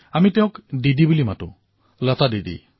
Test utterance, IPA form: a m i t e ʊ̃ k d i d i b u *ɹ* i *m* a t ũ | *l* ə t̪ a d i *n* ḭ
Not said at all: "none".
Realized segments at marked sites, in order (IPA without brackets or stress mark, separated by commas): l, m, l, d